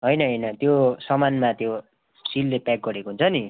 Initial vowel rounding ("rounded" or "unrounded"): unrounded